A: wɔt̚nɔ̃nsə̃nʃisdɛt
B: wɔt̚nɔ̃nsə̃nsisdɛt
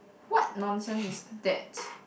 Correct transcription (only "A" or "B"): B